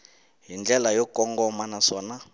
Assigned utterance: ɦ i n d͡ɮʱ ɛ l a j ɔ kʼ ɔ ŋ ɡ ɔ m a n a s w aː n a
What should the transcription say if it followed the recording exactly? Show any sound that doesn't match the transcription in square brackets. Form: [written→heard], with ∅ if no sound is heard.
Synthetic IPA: ɦ i n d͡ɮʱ ɛ l a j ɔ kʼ ɔ ŋ ɡ ɔ m a n a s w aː n a